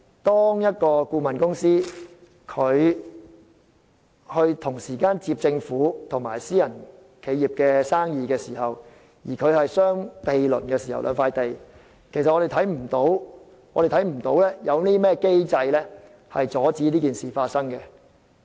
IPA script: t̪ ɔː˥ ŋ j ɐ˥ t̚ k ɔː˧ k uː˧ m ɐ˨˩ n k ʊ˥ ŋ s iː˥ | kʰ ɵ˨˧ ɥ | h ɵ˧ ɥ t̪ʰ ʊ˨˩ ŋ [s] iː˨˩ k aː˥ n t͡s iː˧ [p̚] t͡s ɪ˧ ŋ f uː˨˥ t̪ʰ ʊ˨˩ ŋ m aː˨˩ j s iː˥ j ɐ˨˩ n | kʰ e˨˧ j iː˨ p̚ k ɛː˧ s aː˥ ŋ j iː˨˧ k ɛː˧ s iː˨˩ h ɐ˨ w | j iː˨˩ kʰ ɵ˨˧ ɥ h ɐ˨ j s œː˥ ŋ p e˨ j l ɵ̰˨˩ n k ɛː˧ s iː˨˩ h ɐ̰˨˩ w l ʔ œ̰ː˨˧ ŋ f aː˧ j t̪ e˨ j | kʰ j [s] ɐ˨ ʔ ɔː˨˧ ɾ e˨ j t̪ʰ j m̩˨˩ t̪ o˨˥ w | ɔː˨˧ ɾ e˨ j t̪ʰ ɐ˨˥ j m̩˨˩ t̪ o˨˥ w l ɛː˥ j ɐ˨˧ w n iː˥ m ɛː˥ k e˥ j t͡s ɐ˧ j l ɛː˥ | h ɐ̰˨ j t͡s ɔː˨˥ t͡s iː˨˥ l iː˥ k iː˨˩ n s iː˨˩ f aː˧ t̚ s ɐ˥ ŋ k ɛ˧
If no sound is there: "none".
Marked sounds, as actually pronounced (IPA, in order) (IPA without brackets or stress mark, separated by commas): s, p̚, s